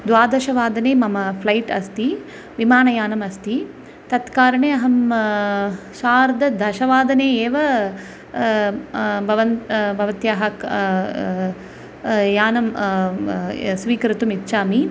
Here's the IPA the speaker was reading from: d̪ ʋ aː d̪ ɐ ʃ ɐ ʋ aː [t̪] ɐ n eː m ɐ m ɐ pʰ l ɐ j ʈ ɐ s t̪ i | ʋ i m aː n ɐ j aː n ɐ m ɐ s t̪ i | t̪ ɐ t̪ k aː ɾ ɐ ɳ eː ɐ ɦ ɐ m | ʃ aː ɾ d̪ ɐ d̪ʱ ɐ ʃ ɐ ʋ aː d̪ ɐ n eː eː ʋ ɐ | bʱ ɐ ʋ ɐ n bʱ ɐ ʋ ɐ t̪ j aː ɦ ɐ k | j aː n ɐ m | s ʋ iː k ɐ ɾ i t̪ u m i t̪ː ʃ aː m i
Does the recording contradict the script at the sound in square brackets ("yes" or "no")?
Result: yes